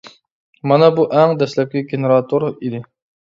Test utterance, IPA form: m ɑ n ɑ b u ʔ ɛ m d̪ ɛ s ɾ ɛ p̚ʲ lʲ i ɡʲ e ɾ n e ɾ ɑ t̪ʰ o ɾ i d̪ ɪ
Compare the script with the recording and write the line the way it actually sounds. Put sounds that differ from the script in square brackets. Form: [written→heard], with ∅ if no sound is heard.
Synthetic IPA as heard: m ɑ n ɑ b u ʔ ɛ [m→ŋ] d̪ ɛ s [ɾ→l] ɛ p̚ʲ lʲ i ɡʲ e [ɾ→∅] n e ɾ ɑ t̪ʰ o ɾ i d̪ ɪ

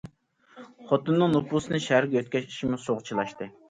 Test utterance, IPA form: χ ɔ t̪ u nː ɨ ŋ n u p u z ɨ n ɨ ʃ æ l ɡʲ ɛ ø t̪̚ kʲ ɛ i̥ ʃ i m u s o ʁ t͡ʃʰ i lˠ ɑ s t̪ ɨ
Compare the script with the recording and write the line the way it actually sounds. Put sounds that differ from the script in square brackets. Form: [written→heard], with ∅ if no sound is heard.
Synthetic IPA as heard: χ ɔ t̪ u nː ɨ ŋ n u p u [z→s] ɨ n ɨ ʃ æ [l→ɾ] ɡʲ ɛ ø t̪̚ kʲ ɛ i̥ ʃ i m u s o ʁ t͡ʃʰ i lˠ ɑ [s→ʃ] t̪ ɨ

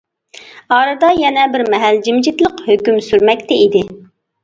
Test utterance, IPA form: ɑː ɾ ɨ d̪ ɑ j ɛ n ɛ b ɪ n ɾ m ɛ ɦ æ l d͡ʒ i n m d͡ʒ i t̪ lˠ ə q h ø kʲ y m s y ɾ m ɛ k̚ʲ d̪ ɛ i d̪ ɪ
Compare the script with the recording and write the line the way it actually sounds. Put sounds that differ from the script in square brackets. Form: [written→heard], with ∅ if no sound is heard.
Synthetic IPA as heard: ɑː ɾ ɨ d̪ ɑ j ɛ n ɛ b ɪ [n→∅] ɾ m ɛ ɦ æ l d͡ʒ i [n→∅] m d͡ʒ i t̪ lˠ ə q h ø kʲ y m s y ɾ m ɛ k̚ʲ [d̪→t̪] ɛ i d̪ ɪ

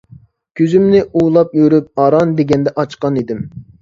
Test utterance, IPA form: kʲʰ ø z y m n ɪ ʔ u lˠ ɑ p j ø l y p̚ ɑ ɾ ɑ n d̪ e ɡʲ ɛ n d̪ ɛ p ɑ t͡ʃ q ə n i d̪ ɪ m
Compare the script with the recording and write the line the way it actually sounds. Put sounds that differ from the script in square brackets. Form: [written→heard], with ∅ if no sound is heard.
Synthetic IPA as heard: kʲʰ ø z y m n ɪ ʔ u lˠ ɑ p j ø [l→ɾ] y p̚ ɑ ɾ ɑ n d̪ e ɡʲ ɛ n d̪ ɛ [p→ʔ] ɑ t͡ʃ q [ə→ɑ] n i d̪ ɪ m

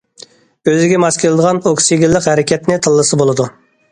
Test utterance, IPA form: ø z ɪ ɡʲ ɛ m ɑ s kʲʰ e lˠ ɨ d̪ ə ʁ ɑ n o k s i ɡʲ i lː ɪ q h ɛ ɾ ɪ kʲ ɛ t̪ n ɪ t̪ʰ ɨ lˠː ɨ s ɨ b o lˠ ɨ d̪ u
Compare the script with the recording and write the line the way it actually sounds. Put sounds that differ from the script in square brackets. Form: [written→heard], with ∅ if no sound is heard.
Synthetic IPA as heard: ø z ɪ ɡʲ ɛ m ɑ s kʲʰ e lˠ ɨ d̪ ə ʁ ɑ n o k s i ɡʲ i lː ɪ q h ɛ ɾ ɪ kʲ ɛ t̪ n ɪ t̪ʰ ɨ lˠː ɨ s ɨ b o lˠ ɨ d̪ u

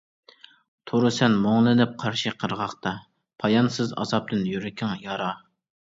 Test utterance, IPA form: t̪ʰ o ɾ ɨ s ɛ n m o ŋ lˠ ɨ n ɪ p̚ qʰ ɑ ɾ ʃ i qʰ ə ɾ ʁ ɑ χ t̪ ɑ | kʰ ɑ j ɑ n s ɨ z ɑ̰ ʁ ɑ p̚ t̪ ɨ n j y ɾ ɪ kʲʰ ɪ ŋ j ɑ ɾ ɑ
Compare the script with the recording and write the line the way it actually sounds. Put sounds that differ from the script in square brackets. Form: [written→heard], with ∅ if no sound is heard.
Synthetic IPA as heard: t̪ʰ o ɾ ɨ s ɛ n m o ŋ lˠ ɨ n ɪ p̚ qʰ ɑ ɾ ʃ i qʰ ə ɾ ʁ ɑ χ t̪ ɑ | [kʰ→pʰ] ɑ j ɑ n s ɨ z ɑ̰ [ʁ→z] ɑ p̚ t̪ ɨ n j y ɾ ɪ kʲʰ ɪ ŋ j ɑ ɾ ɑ

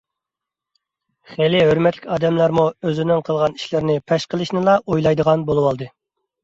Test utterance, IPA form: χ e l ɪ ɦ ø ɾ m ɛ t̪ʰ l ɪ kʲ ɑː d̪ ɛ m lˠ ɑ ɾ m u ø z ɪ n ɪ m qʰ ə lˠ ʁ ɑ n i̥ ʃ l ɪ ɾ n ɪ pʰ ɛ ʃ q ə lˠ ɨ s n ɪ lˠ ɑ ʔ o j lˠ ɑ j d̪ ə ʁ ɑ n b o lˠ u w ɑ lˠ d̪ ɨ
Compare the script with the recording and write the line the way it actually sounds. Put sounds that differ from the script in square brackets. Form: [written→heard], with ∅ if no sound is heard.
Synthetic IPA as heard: χ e l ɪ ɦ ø ɾ m ɛ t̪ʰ l ɪ kʲ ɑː d̪ ɛ m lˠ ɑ ɾ m u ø z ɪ n ɪ [m→ŋ] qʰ ə lˠ ʁ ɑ n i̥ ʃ l ɪ ɾ n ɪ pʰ ɛ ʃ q ə lˠ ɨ [s→ʃ] n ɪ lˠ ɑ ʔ o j lˠ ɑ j d̪ ə ʁ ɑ n b o lˠ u w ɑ lˠ d̪ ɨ

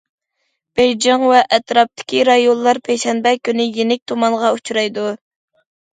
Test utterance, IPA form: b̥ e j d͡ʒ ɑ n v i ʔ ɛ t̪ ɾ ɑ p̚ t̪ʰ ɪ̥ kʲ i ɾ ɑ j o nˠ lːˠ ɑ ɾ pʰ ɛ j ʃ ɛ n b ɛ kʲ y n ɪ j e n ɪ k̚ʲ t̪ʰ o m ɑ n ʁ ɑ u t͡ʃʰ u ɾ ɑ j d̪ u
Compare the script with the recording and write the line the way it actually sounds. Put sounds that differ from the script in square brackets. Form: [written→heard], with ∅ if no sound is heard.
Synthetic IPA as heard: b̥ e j d͡ʒ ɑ [n→ŋ] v [i→ɛ] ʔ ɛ t̪ ɾ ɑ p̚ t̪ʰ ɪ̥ kʲ i ɾ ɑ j o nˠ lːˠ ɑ ɾ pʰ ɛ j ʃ ɛ n b ɛ kʲ y n ɪ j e n ɪ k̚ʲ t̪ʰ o m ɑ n ʁ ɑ u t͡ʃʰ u ɾ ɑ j d̪ u

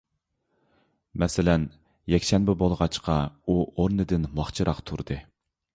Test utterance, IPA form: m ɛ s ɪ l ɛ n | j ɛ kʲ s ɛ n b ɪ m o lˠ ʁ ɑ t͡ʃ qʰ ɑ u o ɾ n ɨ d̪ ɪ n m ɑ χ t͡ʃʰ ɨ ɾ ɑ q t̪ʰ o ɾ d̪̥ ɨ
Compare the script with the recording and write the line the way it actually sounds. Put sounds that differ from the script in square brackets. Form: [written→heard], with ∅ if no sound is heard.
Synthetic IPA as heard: m ɛ s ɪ l ɛ n | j ɛ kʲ [s→ʃ] ɛ n b ɪ [m→b] o lˠ ʁ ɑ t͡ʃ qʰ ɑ u o ɾ n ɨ d̪ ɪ n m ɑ χ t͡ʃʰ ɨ ɾ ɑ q t̪ʰ [o→u] ɾ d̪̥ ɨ

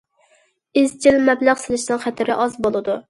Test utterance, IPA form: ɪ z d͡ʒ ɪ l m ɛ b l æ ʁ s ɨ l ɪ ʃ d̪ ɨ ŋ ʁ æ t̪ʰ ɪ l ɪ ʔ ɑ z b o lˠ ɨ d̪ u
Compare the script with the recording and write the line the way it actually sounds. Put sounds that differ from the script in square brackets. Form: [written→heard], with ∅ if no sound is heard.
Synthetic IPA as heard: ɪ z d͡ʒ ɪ l m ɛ b l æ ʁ s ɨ l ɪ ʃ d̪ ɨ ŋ [ʁ→χ] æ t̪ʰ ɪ [l→ɾ] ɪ ʔ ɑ z b o lˠ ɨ d̪ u

